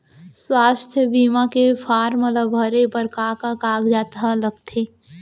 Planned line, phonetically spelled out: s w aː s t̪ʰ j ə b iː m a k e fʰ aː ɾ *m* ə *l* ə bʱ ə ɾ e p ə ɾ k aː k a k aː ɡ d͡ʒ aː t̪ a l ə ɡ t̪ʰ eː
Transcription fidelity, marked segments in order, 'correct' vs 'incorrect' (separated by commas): correct, correct